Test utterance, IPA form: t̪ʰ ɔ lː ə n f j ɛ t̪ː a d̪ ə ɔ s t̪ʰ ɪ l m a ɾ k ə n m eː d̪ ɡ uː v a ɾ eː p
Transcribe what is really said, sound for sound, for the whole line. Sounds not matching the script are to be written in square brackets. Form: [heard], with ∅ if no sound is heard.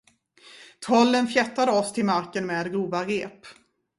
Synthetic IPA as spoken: t̪ʰ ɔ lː ə n f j ɛ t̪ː a d̪ ə ɔ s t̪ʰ ɪ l m a ɾ k ə n m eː d̪ ɡ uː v a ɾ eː p

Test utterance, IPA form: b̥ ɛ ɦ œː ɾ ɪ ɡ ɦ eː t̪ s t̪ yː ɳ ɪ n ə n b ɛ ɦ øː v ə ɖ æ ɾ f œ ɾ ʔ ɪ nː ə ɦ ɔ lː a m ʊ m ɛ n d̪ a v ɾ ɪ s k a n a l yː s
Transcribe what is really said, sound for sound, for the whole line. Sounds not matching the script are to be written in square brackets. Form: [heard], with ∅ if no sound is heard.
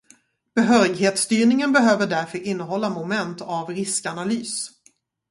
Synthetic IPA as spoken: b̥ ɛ ɦ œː ɾ ɪ ɡ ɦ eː t̪ s t̪ yː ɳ ɪ [ŋ] ə n b ɛ ɦ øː v ə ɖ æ ɾ f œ ɾ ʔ ɪ nː ə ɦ ɔ lː a m ʊ m ɛ n [t̪] a v ɾ ɪ s k a n a l yː s

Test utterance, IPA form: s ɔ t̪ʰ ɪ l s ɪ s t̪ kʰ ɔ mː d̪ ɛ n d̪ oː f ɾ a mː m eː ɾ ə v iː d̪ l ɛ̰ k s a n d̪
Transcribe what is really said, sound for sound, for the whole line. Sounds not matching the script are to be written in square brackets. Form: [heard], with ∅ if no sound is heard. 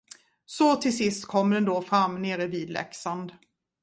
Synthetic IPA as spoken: s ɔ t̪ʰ ɪ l s ɪ s t̪ kʰ ɔ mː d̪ ɛ n d̪ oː f ɾ a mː [n] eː ɾ ə v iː d̪ l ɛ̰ k s a n d̪

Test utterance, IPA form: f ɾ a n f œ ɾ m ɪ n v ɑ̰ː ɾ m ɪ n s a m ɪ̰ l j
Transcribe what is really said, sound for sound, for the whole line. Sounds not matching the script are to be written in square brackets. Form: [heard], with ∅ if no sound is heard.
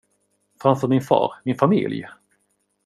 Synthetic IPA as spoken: f ɾ a [m] f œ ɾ m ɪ n [f] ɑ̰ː ɾ m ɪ n [f] a m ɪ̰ l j

